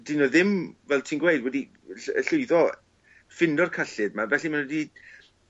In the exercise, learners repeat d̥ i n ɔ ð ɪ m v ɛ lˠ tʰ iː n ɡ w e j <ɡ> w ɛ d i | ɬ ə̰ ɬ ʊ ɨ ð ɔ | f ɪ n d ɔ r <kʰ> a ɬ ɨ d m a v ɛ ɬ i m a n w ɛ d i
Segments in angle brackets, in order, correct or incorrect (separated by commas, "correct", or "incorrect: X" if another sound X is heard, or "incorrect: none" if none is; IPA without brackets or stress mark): incorrect: d, correct